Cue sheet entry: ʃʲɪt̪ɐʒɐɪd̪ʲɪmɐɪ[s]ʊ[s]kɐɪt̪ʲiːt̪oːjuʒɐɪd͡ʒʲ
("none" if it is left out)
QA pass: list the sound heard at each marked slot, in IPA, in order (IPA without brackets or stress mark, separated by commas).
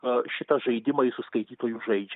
s, s